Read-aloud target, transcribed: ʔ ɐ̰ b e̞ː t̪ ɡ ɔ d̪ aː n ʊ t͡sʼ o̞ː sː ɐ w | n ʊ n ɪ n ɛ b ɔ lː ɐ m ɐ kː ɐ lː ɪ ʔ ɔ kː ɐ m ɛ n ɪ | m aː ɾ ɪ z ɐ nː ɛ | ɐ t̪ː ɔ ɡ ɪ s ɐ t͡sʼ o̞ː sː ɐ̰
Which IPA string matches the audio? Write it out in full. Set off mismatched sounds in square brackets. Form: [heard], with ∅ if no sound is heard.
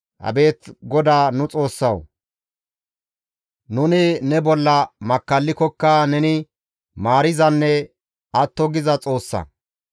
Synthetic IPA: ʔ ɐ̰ b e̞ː t̪ ɡ ɔ d̪ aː n ʊ t͡sʼ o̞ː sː ɐ w | n ʊ n ɪ n ɛ b ɔ lː ɐ m ɐ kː ɐ lː ɪ [k] ɔ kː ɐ [n] ɛ n ɪ | m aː ɾ ɪ z ɐ nː ɛ | ɐ t̪ː ɔ ɡ ɪ [z] ɐ t͡sʼ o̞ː sː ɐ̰